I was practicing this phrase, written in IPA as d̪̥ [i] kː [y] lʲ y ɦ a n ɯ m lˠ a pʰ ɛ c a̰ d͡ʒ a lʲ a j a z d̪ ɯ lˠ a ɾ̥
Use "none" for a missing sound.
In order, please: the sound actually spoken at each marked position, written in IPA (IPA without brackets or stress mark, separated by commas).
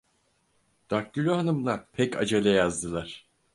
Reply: a, y